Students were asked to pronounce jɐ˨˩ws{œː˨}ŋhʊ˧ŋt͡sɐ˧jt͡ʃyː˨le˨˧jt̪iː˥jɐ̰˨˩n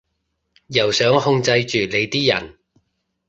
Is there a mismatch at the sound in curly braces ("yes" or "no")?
yes